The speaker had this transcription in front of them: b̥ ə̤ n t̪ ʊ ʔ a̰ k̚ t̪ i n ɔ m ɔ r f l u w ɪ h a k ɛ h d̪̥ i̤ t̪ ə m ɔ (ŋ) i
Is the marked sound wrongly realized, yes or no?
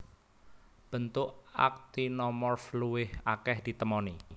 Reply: yes